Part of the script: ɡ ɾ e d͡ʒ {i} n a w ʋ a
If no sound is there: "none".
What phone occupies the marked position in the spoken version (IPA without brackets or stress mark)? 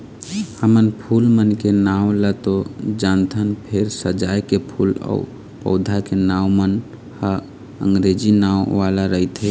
i